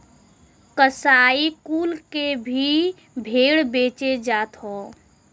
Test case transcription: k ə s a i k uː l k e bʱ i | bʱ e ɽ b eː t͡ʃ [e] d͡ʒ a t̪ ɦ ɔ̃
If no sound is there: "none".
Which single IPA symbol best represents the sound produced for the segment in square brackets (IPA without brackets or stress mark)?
e